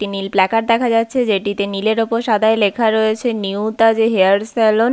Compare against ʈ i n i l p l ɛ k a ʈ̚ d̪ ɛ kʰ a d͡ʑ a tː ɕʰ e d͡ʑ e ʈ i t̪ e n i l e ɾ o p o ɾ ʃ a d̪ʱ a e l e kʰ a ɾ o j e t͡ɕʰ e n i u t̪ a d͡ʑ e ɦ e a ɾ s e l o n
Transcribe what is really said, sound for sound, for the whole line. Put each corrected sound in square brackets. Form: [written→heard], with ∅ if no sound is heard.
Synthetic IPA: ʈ i n i l p l ɛ k a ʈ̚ d̪ ɛ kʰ a d͡ʑ a tː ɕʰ e d͡ʑ e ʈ i t̪ e n i l e ɾ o p o ɾ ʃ a d̪ʱ a e l e kʰ a ɾ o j e t͡ɕʰ e n i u t̪ a d͡ʑ e ɦ e a ɾ s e l o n